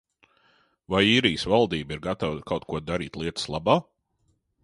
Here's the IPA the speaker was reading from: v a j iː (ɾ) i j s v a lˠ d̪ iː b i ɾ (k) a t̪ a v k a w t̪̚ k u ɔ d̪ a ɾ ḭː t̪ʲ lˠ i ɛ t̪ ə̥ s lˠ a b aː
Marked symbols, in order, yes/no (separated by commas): yes, no